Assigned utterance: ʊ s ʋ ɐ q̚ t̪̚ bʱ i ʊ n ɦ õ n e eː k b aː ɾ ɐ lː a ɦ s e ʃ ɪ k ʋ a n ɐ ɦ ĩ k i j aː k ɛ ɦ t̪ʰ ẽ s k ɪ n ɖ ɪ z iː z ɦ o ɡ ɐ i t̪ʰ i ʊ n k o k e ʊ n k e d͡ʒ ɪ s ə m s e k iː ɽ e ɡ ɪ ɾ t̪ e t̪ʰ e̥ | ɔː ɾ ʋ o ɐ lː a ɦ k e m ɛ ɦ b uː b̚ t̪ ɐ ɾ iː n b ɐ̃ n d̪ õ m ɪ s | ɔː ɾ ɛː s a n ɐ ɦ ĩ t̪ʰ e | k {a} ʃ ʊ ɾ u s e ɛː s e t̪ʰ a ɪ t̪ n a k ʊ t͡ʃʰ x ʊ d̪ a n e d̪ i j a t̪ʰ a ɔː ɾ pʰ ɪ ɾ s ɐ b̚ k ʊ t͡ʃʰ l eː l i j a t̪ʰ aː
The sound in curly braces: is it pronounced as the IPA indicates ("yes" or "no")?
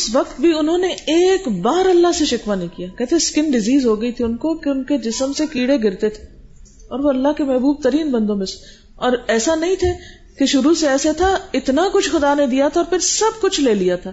no